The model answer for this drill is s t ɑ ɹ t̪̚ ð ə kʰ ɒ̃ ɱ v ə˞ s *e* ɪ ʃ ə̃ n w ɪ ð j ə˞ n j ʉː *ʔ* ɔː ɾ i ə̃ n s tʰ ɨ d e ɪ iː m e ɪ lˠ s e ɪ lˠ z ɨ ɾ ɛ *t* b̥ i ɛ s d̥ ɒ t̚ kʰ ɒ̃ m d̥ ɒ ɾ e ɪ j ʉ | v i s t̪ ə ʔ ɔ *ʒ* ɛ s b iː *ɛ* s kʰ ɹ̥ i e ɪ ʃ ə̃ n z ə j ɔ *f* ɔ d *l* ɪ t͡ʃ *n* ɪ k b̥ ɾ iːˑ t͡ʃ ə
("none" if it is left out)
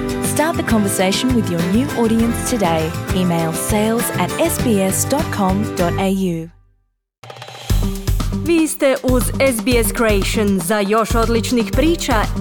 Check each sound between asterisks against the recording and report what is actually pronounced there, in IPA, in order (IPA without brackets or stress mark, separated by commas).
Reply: e, ʔ, s, z, ɛ, ʃ, l, n